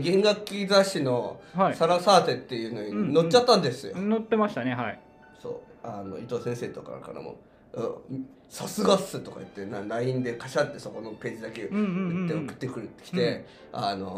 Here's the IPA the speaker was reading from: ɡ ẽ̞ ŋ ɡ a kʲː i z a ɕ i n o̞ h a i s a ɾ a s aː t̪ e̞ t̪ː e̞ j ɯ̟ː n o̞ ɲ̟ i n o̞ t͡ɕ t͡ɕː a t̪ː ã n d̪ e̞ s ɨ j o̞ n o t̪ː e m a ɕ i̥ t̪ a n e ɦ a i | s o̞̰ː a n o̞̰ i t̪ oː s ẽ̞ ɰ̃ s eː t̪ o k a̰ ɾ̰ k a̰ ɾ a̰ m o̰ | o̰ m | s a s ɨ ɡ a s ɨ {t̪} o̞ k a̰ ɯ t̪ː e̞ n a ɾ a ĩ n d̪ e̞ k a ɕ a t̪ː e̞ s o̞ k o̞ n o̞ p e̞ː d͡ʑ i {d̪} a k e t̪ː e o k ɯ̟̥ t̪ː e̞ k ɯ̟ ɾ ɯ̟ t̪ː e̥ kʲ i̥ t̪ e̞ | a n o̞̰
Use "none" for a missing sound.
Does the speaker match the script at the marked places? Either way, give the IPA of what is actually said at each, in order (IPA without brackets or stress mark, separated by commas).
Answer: t̪, d̪